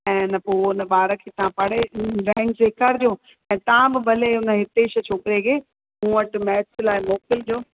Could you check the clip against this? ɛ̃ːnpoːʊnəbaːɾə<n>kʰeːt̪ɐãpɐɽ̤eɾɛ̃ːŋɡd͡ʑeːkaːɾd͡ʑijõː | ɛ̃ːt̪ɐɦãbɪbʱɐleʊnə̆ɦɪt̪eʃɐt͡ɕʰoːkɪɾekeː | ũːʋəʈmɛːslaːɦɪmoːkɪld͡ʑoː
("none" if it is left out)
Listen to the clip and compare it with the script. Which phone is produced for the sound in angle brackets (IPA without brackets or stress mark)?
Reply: none